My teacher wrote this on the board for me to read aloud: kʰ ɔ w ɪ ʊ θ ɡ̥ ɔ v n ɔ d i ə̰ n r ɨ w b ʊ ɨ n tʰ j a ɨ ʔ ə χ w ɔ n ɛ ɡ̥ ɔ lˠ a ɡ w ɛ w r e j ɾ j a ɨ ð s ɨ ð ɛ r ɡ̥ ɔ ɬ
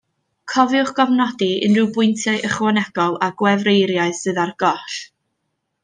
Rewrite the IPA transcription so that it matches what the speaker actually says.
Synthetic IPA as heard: kʰ ɔ v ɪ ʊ χ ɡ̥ ɔ v n ɔ d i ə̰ n r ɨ w b ʊ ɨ n tʰ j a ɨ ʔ ə χ w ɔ n ɛ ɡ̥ ɔ lˠ a ɡ w ɛ v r e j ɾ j a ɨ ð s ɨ ð a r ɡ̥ ɔ ɬ